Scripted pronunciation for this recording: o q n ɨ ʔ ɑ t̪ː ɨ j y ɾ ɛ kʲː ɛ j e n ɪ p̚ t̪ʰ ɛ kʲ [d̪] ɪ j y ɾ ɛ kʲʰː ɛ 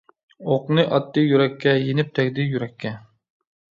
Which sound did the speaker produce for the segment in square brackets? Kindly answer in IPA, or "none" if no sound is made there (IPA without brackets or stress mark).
d̪